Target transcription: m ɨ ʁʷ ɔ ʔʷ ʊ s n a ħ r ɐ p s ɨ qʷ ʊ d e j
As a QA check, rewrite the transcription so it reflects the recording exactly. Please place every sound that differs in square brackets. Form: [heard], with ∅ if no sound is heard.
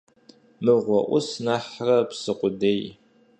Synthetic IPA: m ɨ ʁʷ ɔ ʔʷ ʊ s n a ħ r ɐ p s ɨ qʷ ʊ d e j